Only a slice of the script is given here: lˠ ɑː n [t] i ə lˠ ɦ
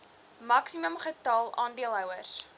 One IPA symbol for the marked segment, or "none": d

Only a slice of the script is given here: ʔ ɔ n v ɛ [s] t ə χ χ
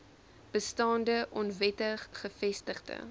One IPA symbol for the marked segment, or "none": none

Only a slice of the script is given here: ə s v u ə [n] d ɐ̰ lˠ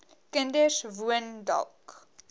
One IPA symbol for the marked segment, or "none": n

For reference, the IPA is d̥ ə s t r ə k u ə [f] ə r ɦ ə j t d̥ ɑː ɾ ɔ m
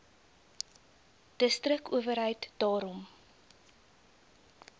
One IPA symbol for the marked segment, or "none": v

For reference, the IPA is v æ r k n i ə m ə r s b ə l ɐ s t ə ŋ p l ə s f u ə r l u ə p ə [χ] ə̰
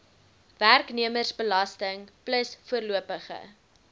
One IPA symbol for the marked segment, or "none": χ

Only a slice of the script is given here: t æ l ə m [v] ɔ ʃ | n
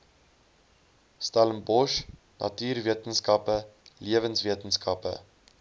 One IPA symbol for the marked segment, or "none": b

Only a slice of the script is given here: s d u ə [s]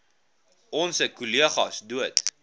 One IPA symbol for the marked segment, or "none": t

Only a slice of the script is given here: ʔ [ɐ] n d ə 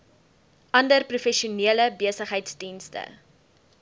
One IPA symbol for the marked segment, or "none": ɐ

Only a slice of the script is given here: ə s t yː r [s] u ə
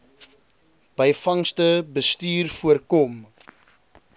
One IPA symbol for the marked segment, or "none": f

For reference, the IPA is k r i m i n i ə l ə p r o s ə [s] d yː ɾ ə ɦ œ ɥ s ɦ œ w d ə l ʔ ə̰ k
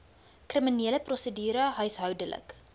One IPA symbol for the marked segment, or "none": none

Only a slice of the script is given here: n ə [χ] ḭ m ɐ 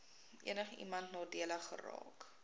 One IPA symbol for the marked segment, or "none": χ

